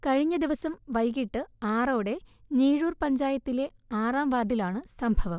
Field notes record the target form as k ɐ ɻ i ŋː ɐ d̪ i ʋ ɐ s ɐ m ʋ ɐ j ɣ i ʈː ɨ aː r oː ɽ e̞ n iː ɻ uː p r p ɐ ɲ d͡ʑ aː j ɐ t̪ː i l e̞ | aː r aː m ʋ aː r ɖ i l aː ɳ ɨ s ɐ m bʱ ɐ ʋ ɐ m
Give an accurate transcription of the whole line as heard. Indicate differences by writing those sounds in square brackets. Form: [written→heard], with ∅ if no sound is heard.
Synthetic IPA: k ɐ ɻ i [ŋː→ɲː] ɐ d̪ i ʋ ɐ s ɐ m ʋ ɐ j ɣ i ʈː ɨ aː r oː ɽ e̞ n iː ɻ uː [p→∅] r p ɐ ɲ d͡ʑ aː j ɐ t̪ː i l e̞ | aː r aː m ʋ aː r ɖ i l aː ɳ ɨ s ɐ m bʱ ɐ ʋ ɐ m